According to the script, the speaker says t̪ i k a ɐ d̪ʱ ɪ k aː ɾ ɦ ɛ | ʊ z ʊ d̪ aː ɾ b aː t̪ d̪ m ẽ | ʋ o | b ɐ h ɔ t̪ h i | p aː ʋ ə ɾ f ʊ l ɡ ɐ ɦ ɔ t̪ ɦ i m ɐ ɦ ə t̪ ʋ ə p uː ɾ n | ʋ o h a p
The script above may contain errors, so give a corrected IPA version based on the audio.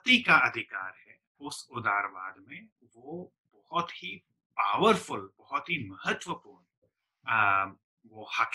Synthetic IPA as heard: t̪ i k a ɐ d̪ʱ ɪ k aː ɾ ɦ ɛ | ʊ s ʊ d̪ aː ɾ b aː d̪ m ẽ | ʋ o | b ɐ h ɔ t̪ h i | p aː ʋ ə ɾ f ʊ l b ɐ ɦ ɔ t̪ ɦ i m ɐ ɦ ə t̪ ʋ ə p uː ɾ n | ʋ o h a k